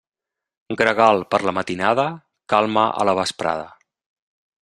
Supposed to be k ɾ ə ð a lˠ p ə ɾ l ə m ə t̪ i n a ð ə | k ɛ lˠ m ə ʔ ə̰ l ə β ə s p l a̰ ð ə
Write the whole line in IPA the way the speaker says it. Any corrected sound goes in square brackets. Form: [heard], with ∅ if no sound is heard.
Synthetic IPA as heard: [ɡ] ɾ ə [ɣ] a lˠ p ə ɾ l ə m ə t̪ i n a ð ə | k [a] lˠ m ə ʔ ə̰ l ə β ə s p [ɾ] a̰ ð ə